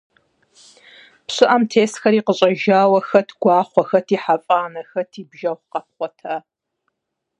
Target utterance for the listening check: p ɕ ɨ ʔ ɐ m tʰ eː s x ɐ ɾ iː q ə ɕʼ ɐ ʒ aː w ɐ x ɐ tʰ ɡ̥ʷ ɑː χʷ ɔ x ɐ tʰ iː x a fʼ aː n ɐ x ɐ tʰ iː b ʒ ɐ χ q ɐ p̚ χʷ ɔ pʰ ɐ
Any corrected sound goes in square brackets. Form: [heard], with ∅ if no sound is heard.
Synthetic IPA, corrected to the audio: p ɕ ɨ ʔ ɐ m tʰ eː s x ɐ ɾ iː q ə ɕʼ ɐ ʒ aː w ɐ x ɐ tʰ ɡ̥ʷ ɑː χʷ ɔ x ɐ tʰ iː [ħ] a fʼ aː n ɐ x ɐ tʰ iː b ʒ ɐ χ q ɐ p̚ χʷ ɔ [tʰ] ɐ